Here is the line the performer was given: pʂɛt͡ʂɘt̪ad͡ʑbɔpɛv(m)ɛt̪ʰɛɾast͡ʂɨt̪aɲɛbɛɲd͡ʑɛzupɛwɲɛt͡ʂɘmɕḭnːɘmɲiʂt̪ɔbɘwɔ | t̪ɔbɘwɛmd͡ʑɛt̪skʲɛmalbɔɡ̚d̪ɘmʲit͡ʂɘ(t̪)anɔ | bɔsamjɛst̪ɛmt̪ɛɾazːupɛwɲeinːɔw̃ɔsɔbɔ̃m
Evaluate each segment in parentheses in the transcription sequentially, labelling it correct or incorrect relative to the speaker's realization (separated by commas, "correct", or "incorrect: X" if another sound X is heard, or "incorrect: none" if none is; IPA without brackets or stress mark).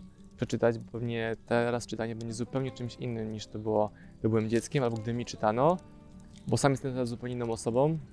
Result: incorrect: ɲ, correct